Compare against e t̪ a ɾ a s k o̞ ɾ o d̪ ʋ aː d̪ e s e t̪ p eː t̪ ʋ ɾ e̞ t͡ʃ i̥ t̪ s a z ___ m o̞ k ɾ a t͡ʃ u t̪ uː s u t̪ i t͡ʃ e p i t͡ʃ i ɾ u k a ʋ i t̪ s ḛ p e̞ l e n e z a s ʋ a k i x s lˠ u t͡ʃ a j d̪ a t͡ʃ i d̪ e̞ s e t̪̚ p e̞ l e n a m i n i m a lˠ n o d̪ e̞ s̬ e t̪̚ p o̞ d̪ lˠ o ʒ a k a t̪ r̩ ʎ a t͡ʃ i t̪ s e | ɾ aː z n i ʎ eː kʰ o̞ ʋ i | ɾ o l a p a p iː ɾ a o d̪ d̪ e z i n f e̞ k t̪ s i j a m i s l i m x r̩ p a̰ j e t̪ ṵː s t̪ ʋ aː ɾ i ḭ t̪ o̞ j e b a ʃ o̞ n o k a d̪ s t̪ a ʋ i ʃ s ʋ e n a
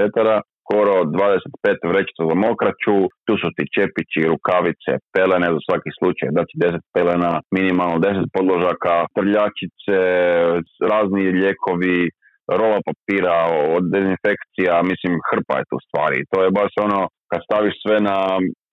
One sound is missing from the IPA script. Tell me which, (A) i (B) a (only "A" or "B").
B